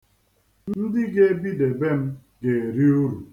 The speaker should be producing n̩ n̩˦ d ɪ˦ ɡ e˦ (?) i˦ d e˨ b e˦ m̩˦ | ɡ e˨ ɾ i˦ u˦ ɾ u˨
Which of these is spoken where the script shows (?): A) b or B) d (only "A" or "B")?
A